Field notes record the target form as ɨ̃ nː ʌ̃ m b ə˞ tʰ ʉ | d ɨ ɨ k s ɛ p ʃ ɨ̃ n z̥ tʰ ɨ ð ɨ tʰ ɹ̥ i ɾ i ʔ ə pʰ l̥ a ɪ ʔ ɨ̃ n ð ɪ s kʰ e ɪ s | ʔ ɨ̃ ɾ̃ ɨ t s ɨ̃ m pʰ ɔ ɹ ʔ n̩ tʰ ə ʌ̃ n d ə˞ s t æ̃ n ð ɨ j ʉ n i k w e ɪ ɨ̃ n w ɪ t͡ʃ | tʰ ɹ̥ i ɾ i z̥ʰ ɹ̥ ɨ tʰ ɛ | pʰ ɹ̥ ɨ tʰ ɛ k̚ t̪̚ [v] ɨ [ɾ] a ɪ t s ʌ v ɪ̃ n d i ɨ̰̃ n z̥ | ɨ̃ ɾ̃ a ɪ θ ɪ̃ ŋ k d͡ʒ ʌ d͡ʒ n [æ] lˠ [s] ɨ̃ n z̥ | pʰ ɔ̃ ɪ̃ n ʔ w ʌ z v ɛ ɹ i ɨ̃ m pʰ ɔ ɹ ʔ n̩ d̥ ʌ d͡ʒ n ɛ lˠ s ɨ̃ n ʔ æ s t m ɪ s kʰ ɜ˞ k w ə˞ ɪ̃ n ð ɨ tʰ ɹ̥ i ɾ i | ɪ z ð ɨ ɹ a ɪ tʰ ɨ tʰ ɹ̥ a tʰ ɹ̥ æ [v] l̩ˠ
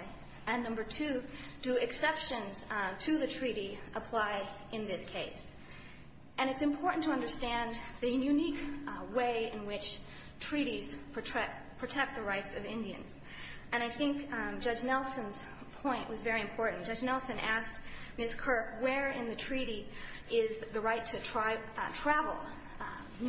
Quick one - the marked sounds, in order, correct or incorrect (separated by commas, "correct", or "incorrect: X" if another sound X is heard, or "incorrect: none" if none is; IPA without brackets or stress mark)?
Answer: incorrect: ð, incorrect: ɹ, incorrect: ɛ, correct, correct